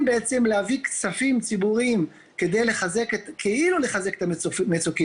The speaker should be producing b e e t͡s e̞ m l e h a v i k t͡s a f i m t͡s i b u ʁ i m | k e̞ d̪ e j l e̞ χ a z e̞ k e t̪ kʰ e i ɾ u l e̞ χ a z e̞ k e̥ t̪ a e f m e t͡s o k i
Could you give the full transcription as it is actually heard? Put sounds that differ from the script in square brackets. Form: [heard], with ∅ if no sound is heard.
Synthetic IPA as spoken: b e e t͡s e̞ m l e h a v i k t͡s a f i m t͡s i b u ʁ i m | k e̞ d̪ e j l e̞ χ a z e̞ k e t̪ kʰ e i [l] u l e̞ χ a z e̞ k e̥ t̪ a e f m e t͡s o k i